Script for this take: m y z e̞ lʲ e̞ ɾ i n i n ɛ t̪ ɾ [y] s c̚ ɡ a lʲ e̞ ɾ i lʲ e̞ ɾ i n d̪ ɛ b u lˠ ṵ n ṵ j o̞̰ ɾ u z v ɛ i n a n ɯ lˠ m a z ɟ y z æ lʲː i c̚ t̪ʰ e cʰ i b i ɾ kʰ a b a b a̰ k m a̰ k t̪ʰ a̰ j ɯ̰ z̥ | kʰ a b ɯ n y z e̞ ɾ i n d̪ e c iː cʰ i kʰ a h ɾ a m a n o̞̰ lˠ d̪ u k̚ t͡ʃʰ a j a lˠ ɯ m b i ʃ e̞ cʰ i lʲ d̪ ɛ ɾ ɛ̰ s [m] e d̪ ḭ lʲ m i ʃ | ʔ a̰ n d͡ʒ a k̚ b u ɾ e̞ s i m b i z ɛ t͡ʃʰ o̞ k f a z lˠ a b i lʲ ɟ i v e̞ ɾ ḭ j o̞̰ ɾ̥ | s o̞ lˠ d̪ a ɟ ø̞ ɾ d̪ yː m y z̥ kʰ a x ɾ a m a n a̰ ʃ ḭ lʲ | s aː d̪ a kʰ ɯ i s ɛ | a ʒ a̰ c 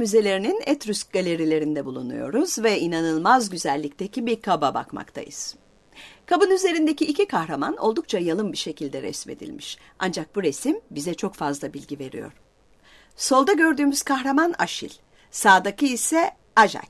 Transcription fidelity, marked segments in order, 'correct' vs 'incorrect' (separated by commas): correct, correct